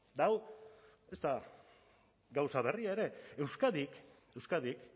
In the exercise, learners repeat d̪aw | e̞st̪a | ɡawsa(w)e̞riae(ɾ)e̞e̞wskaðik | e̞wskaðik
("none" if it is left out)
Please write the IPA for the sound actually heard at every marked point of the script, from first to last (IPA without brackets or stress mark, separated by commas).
β, ɾ